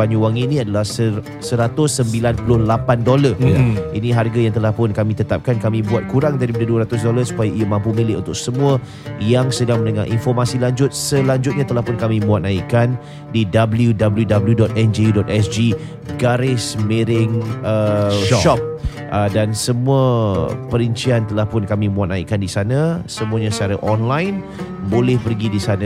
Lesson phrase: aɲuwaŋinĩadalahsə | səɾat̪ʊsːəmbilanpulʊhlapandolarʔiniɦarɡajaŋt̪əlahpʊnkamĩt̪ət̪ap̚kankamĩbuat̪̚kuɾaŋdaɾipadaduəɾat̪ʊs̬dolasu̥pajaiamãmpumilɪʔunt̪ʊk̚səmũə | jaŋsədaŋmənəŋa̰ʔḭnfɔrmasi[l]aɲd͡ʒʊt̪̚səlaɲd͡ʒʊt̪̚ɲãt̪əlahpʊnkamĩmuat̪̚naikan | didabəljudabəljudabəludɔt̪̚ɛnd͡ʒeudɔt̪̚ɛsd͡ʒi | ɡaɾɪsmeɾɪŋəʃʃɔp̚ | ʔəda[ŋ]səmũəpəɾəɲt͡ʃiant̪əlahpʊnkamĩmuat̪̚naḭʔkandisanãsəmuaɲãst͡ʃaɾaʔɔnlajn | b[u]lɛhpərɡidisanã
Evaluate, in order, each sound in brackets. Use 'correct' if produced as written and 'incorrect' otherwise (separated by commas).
correct, incorrect, incorrect